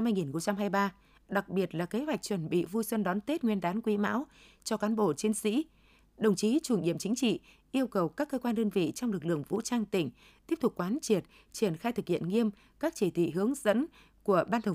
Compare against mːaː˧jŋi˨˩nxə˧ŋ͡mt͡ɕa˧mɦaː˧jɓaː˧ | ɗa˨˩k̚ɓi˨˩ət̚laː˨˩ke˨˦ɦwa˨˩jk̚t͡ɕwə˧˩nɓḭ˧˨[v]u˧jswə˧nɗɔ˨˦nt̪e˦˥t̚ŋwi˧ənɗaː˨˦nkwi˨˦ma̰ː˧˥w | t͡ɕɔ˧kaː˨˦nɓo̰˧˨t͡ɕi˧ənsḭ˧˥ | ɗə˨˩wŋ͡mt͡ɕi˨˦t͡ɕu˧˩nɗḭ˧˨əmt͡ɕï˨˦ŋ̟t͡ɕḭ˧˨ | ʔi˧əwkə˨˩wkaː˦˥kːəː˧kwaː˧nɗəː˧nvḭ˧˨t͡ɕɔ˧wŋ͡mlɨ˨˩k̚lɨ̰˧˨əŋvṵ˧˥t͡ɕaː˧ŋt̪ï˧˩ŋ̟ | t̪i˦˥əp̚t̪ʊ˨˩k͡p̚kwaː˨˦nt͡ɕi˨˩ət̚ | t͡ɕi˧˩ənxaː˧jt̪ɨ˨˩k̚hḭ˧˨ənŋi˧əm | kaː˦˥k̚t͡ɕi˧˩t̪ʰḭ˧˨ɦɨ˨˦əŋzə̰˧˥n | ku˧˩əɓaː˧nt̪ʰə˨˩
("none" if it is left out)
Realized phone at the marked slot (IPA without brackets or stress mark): v